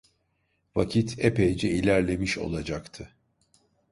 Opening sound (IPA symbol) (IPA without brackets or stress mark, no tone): v